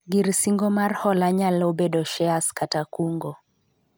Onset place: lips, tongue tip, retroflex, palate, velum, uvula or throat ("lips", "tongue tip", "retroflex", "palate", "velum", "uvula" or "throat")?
velum